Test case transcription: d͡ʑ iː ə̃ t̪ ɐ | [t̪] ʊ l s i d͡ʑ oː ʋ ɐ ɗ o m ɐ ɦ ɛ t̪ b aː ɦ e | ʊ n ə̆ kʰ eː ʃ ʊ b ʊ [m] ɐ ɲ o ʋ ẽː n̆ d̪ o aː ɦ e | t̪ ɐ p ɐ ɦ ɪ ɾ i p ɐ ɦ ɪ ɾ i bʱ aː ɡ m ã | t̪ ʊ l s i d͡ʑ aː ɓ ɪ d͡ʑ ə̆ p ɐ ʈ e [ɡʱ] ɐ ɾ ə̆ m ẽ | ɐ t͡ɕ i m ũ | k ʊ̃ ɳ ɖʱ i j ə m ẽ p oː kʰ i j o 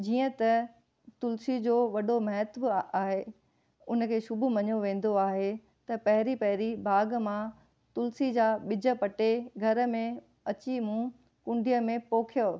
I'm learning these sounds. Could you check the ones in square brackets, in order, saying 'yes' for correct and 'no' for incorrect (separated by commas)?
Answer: yes, yes, yes